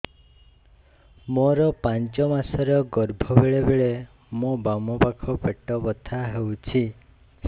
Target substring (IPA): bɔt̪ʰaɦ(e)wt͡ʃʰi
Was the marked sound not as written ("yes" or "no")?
no